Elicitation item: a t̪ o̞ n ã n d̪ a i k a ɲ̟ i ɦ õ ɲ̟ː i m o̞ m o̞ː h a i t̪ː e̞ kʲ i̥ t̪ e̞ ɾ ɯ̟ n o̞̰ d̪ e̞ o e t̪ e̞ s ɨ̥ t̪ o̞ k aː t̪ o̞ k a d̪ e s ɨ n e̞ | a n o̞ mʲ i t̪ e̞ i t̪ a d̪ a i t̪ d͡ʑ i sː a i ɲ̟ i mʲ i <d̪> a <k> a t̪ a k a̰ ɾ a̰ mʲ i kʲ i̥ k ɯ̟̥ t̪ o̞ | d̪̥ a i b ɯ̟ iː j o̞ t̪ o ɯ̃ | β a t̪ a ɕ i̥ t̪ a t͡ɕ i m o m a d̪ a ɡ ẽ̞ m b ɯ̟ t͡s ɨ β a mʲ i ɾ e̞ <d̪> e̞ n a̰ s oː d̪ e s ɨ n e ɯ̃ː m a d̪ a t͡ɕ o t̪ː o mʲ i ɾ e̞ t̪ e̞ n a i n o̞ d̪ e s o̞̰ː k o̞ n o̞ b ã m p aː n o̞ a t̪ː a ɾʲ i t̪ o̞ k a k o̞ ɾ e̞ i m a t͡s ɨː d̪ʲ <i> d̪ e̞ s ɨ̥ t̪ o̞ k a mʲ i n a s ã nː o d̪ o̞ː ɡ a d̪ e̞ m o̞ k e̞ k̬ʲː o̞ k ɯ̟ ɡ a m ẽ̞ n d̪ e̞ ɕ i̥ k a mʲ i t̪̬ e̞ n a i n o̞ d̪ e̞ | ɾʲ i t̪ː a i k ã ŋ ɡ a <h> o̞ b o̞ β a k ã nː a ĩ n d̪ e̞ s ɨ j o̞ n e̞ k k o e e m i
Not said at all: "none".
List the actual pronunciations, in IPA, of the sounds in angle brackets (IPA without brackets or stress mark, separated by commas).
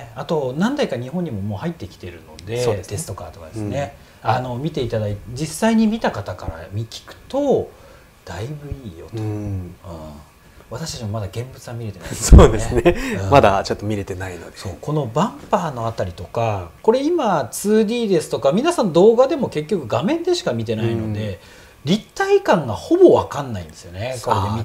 t̪, k, t̪, iː, h